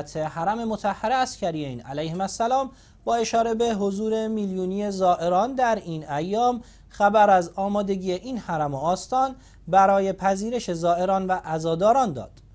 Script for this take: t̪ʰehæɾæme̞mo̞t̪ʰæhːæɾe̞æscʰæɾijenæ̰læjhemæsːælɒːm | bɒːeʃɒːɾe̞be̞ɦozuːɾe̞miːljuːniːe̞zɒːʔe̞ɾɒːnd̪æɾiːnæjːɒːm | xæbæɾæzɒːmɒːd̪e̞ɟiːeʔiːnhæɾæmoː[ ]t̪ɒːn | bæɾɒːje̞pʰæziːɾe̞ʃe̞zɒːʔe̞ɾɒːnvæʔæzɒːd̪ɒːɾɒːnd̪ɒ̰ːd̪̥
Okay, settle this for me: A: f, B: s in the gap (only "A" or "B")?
B